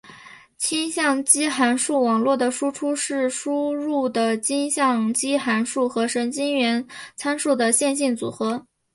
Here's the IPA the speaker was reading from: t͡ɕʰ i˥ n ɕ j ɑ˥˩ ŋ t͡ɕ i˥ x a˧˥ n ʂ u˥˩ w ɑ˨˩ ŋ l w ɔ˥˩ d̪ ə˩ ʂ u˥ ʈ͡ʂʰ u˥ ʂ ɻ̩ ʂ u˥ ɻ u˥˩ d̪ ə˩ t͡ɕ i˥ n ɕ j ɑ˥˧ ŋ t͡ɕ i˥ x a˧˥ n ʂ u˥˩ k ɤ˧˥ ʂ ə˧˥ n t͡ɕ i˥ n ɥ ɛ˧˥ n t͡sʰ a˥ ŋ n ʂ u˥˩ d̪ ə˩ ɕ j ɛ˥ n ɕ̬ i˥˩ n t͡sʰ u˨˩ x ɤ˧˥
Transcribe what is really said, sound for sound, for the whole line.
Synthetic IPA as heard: t͡ɕʰ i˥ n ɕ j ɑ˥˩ ŋ t͡ɕ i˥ x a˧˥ n ʂ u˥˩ w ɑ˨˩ ŋ l w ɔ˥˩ d̪ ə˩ ʂ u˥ ʈ͡ʂʰ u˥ ʂ ɻ̩ ʂ u˥ ɻ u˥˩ d̪ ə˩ t͡ɕ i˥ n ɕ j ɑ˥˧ ŋ t͡ɕ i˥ x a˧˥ n ʂ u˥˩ x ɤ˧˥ ʂ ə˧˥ n t͡ɕ i˥ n ɥ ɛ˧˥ n t͡sʰ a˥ n ʂ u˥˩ d̪ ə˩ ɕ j ɛ˥˧ n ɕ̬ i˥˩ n t͡s u˨˩ x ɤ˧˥